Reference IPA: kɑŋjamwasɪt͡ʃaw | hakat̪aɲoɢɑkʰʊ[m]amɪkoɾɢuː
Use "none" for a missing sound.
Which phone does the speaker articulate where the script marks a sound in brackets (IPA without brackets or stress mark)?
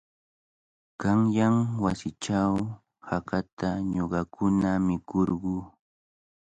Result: n